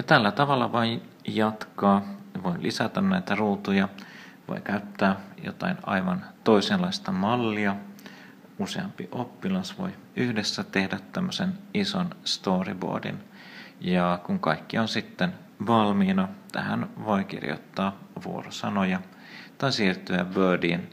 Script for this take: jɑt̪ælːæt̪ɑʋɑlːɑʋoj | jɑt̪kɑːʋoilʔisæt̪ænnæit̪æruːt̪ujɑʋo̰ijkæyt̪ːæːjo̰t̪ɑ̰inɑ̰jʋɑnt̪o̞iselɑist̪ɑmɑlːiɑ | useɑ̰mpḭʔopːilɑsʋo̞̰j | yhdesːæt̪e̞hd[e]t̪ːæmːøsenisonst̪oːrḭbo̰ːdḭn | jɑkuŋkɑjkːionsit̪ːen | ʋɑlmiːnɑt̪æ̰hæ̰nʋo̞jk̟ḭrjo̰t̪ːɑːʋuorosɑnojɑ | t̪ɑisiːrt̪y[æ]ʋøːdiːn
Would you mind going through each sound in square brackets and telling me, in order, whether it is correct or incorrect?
incorrect, correct

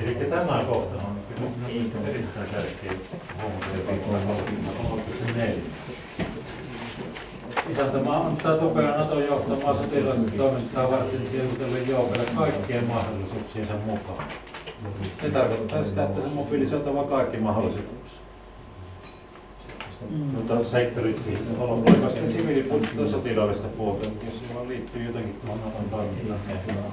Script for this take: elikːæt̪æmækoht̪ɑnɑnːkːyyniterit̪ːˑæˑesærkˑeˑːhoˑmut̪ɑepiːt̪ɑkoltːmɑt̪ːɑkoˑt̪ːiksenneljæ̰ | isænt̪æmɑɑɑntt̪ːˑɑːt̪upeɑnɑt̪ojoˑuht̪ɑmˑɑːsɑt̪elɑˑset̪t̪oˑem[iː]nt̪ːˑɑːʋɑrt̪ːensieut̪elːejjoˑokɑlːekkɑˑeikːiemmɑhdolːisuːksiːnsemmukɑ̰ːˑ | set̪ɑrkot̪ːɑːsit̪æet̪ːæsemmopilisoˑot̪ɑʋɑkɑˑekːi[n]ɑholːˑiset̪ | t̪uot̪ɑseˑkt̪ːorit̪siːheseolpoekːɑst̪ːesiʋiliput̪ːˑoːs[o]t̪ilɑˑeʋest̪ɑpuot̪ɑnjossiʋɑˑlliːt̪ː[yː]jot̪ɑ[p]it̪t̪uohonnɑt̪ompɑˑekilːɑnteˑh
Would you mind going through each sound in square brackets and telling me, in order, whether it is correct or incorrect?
incorrect, incorrect, correct, correct, incorrect

